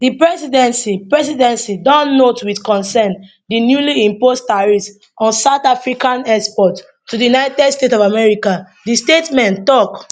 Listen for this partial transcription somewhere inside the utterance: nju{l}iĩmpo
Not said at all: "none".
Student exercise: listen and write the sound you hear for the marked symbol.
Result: l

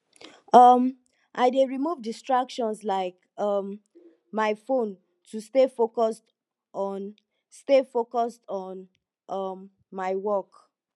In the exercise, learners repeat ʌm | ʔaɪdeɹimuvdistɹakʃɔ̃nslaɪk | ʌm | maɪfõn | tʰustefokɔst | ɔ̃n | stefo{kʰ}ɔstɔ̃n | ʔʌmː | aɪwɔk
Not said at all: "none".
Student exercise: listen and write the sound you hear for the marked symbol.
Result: k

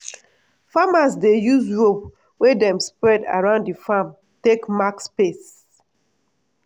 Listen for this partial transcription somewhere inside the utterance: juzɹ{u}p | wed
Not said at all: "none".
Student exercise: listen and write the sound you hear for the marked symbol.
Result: o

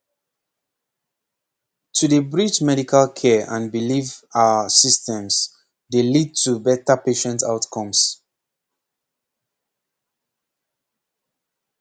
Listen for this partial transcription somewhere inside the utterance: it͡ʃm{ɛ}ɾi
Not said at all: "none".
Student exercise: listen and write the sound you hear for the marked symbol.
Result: ɛ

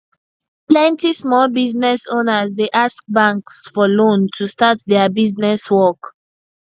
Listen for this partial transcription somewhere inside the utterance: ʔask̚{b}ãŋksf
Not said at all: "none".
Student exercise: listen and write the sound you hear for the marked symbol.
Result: b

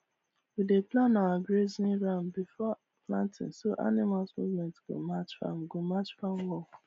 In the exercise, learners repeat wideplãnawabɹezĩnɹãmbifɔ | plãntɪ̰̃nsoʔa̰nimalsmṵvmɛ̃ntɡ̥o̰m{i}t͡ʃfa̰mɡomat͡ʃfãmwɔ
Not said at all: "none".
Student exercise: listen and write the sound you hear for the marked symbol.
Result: a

